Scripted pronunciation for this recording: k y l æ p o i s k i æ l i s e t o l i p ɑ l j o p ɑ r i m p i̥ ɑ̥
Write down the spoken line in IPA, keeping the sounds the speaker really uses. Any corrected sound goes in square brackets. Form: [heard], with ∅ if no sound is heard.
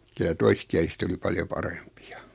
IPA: k y l æ [t] o i s k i æ l i s e t o l i p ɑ l j o p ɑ r [e] m p i̥ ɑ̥